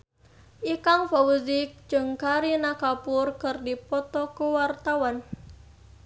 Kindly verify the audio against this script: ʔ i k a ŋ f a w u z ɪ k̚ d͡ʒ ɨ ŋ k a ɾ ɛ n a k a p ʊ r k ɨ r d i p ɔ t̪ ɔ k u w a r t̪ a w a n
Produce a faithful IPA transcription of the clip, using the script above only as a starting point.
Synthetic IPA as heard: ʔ i k a ŋ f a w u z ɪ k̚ d͡ʒ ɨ ŋ k a ɾ i n a k a p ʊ r k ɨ r d i p ɔ t̪ ɔ k u w a r t̪ a w a n